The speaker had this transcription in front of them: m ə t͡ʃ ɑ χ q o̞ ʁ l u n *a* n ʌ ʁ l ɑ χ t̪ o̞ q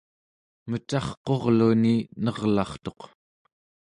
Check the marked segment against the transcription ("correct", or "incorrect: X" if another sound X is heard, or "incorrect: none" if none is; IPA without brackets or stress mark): incorrect: i